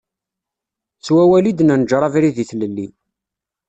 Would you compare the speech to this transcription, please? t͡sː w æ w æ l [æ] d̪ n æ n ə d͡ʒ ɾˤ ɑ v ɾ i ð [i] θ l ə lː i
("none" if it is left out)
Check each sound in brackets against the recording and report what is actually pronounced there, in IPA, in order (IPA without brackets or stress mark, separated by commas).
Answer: i, i